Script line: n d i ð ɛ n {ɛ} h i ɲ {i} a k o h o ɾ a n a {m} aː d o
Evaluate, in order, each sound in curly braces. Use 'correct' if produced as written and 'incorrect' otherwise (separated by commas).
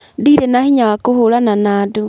incorrect, incorrect, incorrect